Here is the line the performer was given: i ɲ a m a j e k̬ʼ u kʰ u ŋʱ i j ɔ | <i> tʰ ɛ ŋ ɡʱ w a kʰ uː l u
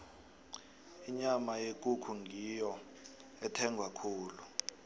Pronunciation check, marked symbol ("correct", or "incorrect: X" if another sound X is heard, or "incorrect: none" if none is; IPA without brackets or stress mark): incorrect: ɛ